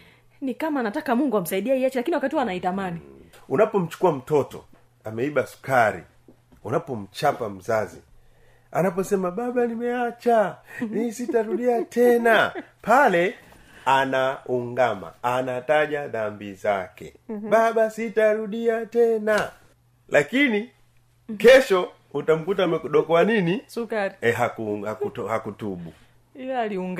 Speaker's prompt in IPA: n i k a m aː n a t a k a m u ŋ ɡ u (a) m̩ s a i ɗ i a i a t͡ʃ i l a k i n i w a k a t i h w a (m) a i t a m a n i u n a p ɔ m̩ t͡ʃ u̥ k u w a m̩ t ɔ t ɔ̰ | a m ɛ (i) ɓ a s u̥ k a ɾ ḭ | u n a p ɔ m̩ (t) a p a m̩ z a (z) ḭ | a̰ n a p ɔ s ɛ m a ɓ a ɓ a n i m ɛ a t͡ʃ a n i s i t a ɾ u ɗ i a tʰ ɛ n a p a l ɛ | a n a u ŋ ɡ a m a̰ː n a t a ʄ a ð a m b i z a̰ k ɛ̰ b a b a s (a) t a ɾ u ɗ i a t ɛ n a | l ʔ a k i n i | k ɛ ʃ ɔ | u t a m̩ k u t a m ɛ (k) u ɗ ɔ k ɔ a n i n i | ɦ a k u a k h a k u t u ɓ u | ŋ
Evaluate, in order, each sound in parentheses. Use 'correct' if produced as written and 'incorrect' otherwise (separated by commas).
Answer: correct, incorrect, correct, incorrect, correct, incorrect, correct